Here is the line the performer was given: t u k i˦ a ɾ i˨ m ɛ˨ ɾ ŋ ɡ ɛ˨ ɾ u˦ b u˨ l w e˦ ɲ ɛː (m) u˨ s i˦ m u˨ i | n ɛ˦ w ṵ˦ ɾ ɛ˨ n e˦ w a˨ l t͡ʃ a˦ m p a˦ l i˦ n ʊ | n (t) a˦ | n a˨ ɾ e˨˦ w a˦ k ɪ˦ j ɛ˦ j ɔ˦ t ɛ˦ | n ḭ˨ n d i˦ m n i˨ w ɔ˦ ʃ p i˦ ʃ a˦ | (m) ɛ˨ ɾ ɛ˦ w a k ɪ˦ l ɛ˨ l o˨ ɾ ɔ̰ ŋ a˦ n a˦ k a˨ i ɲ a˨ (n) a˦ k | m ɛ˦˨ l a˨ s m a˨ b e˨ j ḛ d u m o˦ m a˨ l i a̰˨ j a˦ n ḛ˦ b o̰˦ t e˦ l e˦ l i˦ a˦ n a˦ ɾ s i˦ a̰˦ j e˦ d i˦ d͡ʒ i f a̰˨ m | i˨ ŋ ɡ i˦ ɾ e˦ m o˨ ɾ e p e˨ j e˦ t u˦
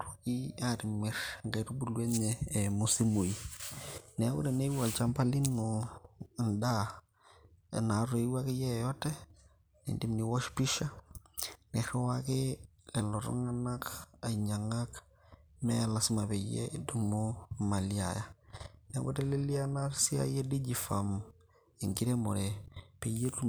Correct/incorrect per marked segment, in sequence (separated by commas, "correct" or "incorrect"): correct, incorrect, incorrect, incorrect